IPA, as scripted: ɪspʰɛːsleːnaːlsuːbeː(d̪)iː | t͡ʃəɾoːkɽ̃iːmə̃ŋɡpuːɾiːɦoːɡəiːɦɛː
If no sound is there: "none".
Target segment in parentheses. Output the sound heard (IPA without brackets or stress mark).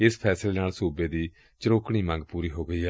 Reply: d̪